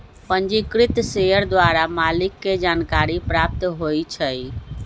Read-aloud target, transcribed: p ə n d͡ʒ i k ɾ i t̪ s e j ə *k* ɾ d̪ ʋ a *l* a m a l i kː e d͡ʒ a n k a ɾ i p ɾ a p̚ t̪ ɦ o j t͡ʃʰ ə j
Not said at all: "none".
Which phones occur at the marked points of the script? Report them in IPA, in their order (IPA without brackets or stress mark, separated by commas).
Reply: none, ɾ